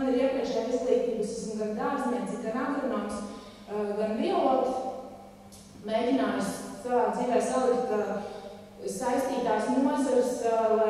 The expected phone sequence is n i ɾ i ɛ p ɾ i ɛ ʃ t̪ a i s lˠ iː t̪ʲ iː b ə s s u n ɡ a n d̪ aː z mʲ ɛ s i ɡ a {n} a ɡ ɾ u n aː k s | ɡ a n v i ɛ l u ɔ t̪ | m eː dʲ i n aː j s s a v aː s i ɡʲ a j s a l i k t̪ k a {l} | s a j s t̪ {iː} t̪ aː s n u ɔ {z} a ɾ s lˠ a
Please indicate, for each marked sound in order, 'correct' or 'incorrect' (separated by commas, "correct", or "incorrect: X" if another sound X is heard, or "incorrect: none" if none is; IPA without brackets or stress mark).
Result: correct, incorrect: none, correct, correct